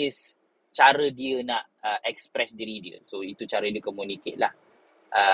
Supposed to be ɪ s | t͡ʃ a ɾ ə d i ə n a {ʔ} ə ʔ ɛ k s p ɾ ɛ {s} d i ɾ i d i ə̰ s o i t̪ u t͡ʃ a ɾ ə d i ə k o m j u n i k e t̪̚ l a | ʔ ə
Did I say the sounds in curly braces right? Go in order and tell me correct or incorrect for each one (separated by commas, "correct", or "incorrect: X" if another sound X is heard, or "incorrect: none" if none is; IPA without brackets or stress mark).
correct, correct